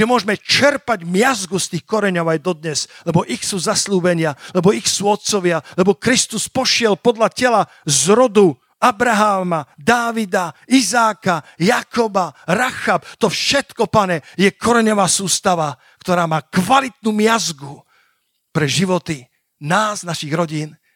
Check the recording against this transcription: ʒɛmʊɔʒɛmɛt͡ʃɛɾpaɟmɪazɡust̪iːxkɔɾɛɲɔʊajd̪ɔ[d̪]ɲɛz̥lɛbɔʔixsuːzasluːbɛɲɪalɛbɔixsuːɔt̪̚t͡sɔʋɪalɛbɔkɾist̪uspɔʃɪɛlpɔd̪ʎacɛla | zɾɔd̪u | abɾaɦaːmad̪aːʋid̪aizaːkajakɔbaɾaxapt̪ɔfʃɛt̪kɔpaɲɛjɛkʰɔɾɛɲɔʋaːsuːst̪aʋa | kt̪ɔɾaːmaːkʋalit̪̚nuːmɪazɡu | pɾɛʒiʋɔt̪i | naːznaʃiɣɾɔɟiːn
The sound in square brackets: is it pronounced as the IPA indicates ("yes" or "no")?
yes